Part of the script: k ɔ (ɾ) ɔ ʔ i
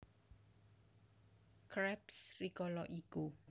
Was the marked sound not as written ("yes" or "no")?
yes